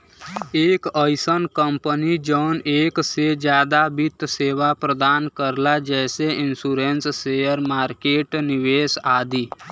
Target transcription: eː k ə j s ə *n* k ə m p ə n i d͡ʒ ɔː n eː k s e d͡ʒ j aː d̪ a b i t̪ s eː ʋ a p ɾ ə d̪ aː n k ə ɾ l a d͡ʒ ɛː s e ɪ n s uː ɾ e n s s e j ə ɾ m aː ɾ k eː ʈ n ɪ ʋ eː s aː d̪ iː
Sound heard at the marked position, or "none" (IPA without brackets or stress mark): n